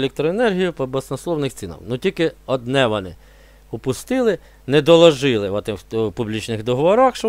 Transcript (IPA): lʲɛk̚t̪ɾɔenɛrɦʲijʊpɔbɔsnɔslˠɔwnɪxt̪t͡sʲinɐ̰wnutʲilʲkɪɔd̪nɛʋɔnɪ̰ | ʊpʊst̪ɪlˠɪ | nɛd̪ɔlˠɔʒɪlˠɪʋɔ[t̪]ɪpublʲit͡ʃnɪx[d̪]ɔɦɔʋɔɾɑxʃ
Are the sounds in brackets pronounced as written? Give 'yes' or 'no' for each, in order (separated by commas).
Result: yes, yes